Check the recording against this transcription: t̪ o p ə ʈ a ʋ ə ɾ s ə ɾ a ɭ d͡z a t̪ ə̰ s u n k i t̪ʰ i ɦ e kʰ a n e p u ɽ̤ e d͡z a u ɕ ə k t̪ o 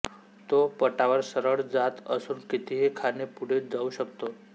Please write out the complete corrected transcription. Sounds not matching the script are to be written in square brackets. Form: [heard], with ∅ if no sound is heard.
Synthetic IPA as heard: t̪ o p ə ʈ a ʋ ə ɾ s ə ɾ [ə] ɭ d͡z a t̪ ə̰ s [uː] n k i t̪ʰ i ɦ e kʰ a n e p u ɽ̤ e d͡z a u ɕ ə k t̪ o